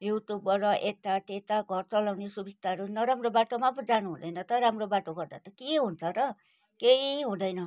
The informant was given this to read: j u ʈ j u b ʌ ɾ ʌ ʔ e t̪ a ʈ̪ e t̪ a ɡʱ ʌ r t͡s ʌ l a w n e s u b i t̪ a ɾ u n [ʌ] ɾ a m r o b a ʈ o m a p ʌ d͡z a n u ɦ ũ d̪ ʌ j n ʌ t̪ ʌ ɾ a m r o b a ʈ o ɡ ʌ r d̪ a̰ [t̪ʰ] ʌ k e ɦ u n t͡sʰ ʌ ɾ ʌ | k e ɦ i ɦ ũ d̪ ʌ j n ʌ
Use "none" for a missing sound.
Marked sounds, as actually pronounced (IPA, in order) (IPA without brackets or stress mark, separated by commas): ʌ, t̪